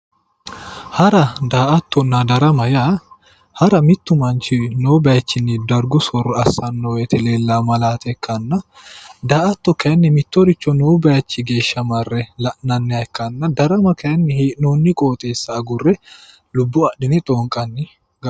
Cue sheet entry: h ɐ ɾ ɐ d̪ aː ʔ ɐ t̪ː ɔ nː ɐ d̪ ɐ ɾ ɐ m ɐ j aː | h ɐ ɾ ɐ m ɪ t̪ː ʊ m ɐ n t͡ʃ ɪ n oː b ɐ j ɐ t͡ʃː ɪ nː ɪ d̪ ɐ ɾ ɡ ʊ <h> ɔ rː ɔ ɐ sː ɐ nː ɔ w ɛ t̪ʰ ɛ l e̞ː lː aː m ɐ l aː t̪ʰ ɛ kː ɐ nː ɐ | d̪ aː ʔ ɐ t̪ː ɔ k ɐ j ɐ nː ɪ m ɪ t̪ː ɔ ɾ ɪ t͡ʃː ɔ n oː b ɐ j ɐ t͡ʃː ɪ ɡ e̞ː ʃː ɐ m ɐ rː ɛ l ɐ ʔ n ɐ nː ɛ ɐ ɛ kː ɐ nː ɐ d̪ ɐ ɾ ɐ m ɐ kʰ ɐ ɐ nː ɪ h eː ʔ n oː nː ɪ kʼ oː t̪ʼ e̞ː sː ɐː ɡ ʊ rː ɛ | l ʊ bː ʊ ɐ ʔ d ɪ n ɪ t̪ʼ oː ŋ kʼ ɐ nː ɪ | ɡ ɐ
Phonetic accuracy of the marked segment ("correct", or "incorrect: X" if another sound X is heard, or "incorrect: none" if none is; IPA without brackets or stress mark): incorrect: s